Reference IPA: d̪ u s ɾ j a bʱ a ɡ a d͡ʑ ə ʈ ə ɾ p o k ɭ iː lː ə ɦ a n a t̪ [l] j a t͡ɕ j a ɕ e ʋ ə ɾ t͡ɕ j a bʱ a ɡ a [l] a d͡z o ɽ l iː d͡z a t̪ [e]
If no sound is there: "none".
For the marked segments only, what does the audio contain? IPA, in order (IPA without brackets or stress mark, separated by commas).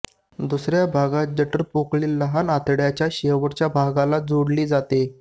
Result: ɽ, l, e